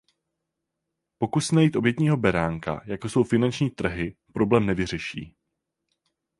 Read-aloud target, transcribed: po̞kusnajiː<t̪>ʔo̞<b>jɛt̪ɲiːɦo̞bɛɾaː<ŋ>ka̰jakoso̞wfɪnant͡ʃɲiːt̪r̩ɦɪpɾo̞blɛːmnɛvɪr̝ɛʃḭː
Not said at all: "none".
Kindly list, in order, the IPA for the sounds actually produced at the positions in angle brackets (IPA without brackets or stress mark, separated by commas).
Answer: t̪, b, ŋ